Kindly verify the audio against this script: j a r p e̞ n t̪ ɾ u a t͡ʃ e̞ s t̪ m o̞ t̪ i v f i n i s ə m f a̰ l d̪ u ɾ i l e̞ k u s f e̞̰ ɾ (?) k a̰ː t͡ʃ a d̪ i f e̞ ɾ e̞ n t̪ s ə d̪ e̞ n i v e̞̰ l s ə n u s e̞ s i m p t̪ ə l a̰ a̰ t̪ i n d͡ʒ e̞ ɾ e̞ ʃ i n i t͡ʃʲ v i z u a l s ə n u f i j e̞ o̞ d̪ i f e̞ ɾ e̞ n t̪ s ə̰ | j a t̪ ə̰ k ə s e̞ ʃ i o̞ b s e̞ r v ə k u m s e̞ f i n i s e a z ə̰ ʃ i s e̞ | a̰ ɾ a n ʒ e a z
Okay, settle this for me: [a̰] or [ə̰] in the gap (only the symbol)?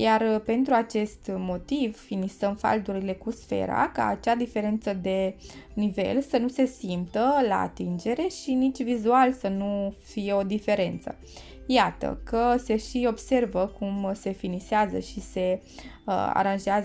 a̰